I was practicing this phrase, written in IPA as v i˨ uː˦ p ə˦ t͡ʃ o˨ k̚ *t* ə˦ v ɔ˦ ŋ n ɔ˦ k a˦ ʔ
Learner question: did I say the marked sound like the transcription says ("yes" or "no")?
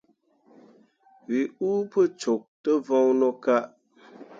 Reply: yes